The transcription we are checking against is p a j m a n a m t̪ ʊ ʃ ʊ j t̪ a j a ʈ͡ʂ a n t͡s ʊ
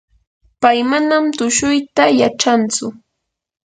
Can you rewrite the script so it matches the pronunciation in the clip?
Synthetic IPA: p a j m a n a m t̪ ʊ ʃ ʊ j t̪ a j a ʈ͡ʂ a n t͡s ʊ